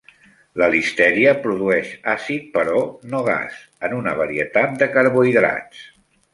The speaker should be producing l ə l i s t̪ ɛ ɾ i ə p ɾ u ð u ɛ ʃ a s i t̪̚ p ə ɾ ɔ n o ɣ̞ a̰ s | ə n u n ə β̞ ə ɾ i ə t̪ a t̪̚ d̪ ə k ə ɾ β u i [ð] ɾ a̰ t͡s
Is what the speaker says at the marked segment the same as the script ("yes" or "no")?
yes